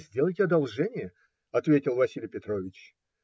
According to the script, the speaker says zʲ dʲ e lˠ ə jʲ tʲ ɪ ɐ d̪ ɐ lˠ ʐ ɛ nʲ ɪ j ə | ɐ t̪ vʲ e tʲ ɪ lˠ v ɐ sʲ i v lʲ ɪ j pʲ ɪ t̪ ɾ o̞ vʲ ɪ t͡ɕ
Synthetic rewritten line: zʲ dʲ e lˠ ə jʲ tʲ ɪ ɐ d̪ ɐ lˠ ʐ ɛ nʲ ɪ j ə | ɐ t̪ vʲ e tʲ ɪ lˠ v ɐ sʲ i lʲ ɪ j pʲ ɪ t̪ ɾ o̞ vʲ ɪ t͡ɕ

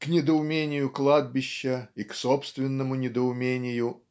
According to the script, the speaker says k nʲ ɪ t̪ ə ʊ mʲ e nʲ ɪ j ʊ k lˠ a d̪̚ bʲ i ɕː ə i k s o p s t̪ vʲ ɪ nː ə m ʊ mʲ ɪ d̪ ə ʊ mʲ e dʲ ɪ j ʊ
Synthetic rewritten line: k nʲ ɪ d̪ ə ʊ mʲ e nʲ ɪ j ʊ k lˠ a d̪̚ bʲ ɪ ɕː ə i k s o p s t̪ vʲ ɪ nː ə m ʊ nʲ ɪ d̪ ə ʊ mʲ e nʲ ɪ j ʊ

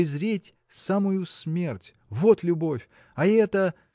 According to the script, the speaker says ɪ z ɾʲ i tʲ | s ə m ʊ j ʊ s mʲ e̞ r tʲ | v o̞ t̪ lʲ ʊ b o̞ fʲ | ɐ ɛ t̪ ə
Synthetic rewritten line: ɪ z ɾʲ e tʲ | s a m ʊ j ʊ s mʲ e̞ r tʲ | v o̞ t̪ lʲ ʊ b o̞ fʲ | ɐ ɛ t̪ ə

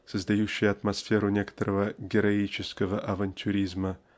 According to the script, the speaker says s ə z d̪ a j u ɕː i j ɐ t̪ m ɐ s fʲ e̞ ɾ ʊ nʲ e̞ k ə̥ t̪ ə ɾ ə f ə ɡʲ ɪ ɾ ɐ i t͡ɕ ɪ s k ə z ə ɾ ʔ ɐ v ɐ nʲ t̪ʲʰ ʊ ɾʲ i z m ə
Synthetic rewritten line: s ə z d̪ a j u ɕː ɪ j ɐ t̪ m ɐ s fʲ e̞ ɾ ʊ nʲ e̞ k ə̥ t̪ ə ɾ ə v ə ɡʲ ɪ ɾ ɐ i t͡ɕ ɪ s k ə v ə ʔ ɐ v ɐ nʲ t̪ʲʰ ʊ ɾʲ i z m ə

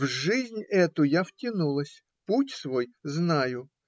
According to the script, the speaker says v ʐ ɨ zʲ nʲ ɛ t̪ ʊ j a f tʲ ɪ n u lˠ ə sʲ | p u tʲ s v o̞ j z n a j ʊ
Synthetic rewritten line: v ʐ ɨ zʲ nʲ ɛ t̪ ʊ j a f tʲ ɪ n u lˠ ə sʲ | p u tʲ s v o̞ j z n a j ʊ

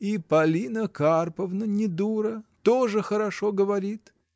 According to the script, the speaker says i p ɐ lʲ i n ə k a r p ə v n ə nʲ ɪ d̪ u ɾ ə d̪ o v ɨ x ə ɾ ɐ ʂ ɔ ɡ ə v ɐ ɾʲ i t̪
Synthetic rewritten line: i p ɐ lʲ i n ə k a r p ə v n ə nʲ ɪ d̪ u ɾ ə t̪ o ʐ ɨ x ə ɾ ɐ ʂ o ɡ ə v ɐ ɾʲ i t̪

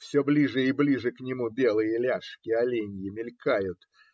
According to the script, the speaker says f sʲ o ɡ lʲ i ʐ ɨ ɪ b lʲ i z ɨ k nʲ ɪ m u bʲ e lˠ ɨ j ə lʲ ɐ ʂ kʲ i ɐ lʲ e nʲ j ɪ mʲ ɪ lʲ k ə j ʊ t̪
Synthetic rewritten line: f sʲ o b lʲ i ʐ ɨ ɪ b lʲ i ʐ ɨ k nʲ ɪ m u bʲ e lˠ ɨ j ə lʲ a ʂ kʲ ɪ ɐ lʲ e nʲ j ɪ mʲ ɪ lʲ k a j ʊ t̪

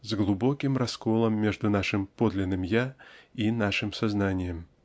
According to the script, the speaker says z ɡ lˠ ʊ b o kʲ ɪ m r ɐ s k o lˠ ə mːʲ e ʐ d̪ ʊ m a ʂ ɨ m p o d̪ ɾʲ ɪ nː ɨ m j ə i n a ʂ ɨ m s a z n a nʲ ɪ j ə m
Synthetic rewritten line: z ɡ lˠ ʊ b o kʲ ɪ m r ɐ s k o lˠ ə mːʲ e ʐ d̪ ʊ n a ʂ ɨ m p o d̪ lʲ ɪ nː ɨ m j a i n a ʂ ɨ m s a z n a nʲ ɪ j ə m

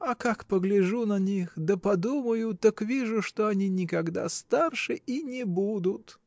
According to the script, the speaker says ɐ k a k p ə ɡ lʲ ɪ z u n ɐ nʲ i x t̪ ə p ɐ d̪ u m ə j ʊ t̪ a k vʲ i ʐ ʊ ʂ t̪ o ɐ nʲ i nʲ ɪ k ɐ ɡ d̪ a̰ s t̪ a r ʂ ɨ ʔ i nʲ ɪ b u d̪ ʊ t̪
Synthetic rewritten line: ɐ k a k p ə ɡ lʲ ɪ ʐ u n ɐ nʲ i x d̪ ə p ɐ d̪ u m ə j ʊ t̪ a k vʲ i ʐ ʊ ʂ t̪ o ɐ nʲ i nʲ ɪ k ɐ ɡ d̪ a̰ s t̪ a r ʂ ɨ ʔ i nʲ ɪ b u d̪ ʊ t̪

